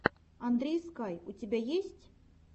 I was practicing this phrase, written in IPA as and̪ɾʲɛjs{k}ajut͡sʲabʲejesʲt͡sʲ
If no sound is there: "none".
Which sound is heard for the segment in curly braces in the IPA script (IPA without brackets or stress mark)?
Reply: k